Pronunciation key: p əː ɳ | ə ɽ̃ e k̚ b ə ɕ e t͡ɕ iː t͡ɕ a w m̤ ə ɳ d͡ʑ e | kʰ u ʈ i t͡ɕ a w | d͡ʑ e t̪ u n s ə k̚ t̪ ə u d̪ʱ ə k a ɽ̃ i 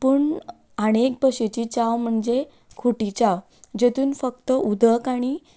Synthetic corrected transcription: p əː ɳ | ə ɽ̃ e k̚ b ə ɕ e t͡ɕ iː t͡ɕ a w m̤ ə ɳ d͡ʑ e | kʰ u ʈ i t͡ɕ a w | d͡ʑ e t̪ uː n f ə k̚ t̪ ə u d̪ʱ ə k a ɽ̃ i

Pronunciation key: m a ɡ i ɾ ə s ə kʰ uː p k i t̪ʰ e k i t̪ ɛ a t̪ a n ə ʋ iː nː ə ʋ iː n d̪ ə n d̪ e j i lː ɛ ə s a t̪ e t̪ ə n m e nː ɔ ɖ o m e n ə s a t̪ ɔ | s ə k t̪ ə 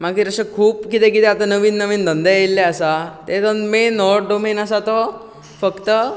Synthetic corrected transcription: m a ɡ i ɾ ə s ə kʰ uː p k i t̪ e k i t̪ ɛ a t̪ a n ə ʋ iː nː ə ʋ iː n d̪ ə n d̪ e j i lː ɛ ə s a t̪ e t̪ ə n m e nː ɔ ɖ o m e n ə s a t̪ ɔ | f ə k t̪ ə

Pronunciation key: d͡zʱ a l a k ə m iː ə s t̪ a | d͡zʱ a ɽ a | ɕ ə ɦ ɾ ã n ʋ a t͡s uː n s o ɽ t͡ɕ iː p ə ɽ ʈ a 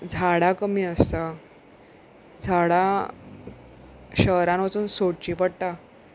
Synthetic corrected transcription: d͡zʱ a ɽ a k ə m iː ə s t̪ a | d͡zʱ a ɽ a | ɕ ə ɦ ɾ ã n ʋ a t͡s uː n s o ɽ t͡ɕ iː p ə ɽ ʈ a

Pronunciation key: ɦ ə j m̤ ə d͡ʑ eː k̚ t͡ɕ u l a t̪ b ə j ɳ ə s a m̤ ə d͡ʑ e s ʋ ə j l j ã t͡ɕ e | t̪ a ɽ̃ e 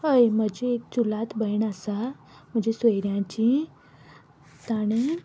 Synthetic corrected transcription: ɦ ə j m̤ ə d͡ʑ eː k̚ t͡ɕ u l a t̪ b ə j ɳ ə s a m̤ ə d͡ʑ e s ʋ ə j ɾ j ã t͡ɕ i | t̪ a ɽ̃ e

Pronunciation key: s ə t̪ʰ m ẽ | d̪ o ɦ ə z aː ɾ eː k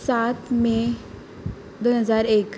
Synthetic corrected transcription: s a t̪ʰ m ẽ | d̪ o ɦ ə z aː ɾ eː k

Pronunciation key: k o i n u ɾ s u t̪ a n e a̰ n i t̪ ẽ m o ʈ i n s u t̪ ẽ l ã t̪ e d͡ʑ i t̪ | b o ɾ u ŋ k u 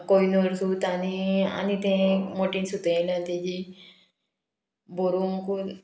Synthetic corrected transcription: k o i n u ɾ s u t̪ a n i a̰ n i t̪ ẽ m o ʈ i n s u t̪ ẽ l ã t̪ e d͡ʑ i | b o ɾ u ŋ k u

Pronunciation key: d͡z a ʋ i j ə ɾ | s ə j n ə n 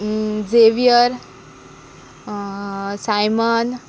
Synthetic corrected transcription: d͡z e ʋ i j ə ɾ | s a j m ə n

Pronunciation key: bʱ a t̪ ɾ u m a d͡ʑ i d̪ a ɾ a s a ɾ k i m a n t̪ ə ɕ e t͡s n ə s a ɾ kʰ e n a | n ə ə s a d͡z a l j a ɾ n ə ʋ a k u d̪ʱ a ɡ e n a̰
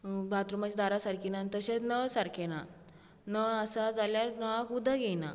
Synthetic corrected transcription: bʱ a t̪ ɾ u m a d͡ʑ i d̪ a ɾ a s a ɾ k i n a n t̪ ə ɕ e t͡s n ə s a ɾ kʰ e n a | n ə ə s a d͡z a l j a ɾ n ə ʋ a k u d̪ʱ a ɡ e n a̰

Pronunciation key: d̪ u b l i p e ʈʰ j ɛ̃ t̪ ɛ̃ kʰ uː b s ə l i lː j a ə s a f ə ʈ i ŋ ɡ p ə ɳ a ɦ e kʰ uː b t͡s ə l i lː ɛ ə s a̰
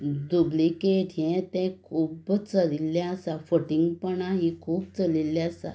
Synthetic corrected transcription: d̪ u b l i k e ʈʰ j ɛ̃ t̪ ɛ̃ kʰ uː b t͡s ə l i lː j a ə s a f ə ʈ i ŋ ɡ p ə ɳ a ɦ i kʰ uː b t͡s ə l i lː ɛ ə s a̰

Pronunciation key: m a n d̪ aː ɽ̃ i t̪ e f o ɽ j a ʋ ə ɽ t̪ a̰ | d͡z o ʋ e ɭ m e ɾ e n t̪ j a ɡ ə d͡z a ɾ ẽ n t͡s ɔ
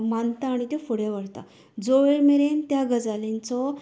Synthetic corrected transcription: m a n t̪ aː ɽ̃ i t̪ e f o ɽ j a ʋ ə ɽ t̪ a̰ | d͡z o ʋ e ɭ m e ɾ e n t̪ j a ɡ ə d͡z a l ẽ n t͡s ɔ

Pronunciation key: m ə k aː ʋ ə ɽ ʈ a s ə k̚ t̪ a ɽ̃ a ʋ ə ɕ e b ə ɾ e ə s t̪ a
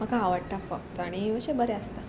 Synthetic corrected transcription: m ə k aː ʋ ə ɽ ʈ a f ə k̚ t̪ a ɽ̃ i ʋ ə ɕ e b ə ɾ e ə s t̪ a

